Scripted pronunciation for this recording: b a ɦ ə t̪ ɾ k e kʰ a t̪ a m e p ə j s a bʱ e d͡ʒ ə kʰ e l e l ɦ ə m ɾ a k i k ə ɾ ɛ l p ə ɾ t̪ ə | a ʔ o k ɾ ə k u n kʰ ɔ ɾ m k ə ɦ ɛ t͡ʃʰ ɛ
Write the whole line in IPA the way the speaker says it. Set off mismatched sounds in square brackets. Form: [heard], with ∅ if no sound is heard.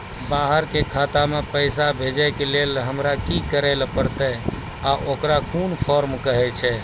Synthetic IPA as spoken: b a ɦ ə [∅] ɾ k e kʰ a t̪ a m e p ə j s a bʱ e d͡ʒ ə [k] e l e l ɦ ə m ɾ a k i k ə ɾ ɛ l p ə ɾ t̪ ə | a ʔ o k ɾ [a] k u n [pʰ] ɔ ɾ m k ə ɦ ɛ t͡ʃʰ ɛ